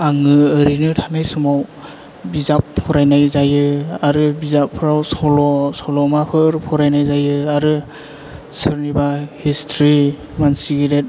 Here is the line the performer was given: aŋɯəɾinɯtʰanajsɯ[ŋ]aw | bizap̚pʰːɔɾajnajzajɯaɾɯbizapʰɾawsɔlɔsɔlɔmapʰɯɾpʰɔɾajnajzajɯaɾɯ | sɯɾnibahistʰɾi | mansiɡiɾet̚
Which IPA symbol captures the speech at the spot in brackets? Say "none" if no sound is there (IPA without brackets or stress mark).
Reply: m